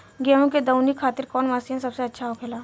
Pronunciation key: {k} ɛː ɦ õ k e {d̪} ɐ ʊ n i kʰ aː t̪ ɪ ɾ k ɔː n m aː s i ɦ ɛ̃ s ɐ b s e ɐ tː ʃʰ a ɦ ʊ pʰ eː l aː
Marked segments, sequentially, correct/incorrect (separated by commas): incorrect, correct